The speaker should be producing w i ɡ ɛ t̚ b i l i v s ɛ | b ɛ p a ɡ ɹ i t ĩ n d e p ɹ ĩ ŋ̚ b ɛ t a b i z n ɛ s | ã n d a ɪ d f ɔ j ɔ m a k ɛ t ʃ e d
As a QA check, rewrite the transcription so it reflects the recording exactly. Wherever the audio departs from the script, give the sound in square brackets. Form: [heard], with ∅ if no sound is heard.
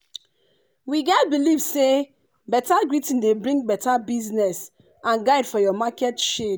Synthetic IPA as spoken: w i ɡ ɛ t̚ b i l i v s [e] | b ɛ [t] a ɡ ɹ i t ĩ n d e [b] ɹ ĩ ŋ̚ b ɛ t a b i z n ɛ s | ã n [ɡ] a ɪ d f ɔ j ɔ m a k ɛ t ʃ e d